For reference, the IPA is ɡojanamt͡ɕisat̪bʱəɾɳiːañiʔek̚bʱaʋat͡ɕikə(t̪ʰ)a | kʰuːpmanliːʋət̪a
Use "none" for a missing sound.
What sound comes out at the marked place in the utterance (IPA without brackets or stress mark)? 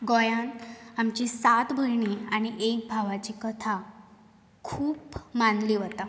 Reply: t̪ʰ